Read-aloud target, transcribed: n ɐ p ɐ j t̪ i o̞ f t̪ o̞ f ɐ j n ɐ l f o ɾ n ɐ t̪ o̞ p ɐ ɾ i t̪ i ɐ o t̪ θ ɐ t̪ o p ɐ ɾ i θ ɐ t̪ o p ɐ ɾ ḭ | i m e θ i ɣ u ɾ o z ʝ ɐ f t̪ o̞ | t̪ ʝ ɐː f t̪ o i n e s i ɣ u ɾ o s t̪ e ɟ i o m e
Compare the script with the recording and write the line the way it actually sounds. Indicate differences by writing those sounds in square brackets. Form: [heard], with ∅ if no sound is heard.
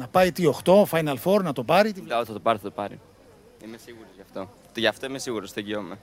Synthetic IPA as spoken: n ɐ p ɐ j t̪ i o̞ [x] t̪ o̞ f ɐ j n ɐ l f o ɾ n ɐ t̪ o̞ p ɐ ɾ i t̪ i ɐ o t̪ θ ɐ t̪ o p ɐ ɾ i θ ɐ t̪ o p ɐ ɾ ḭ | i m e [s] i ɣ u ɾ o z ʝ ɐ f t̪ o̞ | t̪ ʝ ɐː f t̪ o i [m] e s i ɣ u ɾ o s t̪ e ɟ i o m e